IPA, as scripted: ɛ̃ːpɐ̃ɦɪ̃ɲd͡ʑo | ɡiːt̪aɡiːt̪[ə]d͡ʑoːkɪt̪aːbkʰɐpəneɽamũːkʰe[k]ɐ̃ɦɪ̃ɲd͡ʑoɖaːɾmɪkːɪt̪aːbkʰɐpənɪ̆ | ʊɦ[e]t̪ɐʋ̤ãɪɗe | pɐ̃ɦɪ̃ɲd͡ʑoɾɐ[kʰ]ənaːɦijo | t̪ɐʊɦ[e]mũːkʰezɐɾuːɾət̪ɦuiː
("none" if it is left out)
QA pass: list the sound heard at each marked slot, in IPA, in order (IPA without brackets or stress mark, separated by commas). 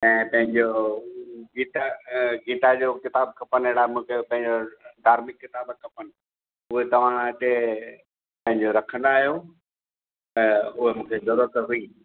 a, p, e, kʰ, e